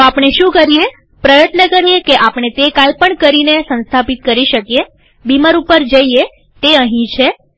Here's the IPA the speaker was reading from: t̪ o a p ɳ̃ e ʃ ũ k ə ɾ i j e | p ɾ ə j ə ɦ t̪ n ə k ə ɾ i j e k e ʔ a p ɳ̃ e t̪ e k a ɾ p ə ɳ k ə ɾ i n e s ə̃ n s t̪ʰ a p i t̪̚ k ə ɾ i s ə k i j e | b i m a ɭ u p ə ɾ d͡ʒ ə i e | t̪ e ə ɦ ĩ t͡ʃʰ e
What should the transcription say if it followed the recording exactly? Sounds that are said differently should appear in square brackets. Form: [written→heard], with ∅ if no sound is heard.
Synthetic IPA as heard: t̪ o a p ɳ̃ e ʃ ũ k ə ɾ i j e | p ɾ ə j ə [ɦ→∅] t̪ n ə k ə ɾ i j e k e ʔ a p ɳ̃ e t̪ e k a [ɾ→l] p ə ɳ k ə ɾ i n e s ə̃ n s t̪ʰ a p i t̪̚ k ə ɾ i [s→ʃ] ə k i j e | b i m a [ɭ→ɾ] u p ə ɾ d͡ʒ ə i e | t̪ e ə ɦ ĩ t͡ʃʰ e

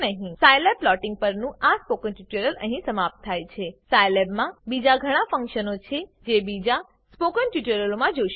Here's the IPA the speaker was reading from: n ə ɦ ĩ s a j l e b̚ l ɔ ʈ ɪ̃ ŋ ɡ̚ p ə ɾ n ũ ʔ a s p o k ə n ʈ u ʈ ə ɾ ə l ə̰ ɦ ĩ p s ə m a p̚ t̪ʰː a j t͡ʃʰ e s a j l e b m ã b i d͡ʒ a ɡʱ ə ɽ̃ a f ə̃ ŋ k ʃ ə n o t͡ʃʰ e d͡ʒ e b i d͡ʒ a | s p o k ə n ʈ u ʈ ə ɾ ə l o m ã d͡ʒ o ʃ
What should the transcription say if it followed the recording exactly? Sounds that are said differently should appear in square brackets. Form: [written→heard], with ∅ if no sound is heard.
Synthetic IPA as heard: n ə ɦ ĩ s a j l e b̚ l ɔ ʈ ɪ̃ ŋ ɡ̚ p ə ɾ n ũ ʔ a s p o k ə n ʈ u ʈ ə ɾ ə l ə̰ ɦ ĩ [p→∅] s ə m a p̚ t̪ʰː a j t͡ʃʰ e s a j l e b m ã b i d͡ʒ a ɡʱ ə ɽ̃ a f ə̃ ŋ k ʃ ə n o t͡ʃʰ e d͡ʒ e b i d͡ʒ a | s p o k ə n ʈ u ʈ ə ɾ ə l o m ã d͡ʒ o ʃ

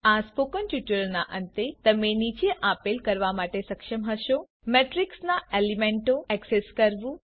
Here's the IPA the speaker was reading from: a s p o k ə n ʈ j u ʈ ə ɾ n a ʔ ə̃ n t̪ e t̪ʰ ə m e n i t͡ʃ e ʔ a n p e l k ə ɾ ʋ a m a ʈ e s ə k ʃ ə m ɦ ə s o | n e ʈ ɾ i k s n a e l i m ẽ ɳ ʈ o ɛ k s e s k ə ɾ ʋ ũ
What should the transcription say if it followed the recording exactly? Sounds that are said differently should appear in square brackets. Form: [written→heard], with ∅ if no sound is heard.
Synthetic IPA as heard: a s p o k ə n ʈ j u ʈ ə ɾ n a ʔ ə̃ n t̪ e [t̪ʰ→t̪] ə m e n i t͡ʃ e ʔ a [n→∅] p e l k ə ɾ ʋ a m a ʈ e s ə k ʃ ə m ɦ ə [s→ʃ] o | [n→m] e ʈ ɾ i k s n a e l i m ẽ ɳ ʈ o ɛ k s e s k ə ɾ ʋ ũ

